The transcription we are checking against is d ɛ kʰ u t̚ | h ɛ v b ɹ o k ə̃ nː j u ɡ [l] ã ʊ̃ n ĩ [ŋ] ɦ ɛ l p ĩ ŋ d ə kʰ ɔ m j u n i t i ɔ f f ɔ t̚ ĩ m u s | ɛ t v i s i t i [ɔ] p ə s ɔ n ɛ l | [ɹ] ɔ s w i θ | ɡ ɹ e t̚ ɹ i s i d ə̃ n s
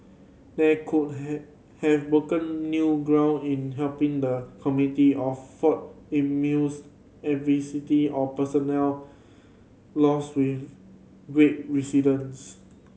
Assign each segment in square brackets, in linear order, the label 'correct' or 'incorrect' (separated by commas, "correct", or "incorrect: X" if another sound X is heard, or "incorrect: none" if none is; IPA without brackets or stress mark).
incorrect: ɹ, incorrect: n, correct, incorrect: l